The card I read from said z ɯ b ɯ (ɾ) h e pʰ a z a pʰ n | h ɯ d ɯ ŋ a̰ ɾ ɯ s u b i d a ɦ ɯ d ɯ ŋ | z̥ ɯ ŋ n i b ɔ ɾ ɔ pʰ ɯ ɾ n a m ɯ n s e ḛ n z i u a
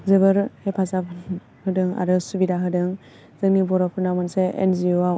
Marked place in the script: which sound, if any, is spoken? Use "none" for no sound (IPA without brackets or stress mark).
ɾ